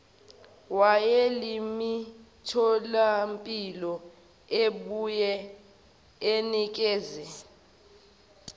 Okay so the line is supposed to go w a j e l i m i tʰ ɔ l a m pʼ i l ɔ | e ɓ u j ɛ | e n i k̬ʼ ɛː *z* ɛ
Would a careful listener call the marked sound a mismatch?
no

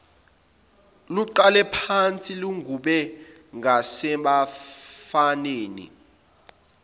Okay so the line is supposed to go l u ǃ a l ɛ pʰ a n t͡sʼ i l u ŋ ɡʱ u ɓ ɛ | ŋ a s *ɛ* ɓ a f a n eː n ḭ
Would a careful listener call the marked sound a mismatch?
no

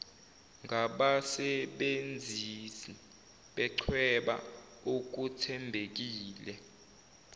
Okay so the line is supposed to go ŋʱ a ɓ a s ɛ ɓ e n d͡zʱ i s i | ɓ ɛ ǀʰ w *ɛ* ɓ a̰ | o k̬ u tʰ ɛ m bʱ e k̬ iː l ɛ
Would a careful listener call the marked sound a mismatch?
no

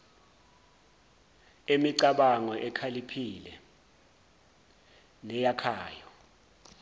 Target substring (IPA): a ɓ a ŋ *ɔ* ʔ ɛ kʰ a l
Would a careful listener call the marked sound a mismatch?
no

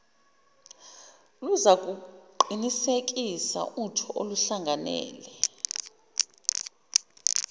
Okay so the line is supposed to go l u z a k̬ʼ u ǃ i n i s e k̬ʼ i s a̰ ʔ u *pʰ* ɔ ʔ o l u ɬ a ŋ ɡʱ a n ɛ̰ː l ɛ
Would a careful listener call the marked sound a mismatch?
yes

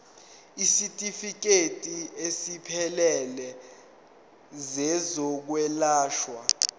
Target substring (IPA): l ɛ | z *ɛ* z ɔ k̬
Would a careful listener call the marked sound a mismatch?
no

